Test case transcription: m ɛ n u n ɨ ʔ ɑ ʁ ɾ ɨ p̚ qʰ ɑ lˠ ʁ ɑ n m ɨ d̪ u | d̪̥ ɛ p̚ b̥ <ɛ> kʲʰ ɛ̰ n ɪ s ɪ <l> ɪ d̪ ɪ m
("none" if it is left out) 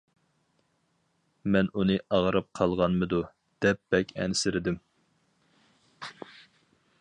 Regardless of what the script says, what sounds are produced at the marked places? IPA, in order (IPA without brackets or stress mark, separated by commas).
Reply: ɛ, ɾ